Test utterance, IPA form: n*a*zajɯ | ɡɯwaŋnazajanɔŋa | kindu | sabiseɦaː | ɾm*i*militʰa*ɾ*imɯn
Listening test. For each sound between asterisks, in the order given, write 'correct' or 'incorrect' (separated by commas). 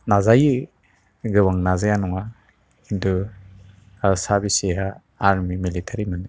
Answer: correct, correct, correct